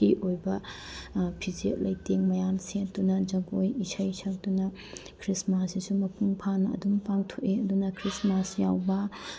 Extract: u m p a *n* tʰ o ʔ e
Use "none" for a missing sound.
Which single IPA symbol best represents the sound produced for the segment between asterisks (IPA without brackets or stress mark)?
ŋ